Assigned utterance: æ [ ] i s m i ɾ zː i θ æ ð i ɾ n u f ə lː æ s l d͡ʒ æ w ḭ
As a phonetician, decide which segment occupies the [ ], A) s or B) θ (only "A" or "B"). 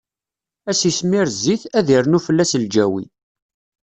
A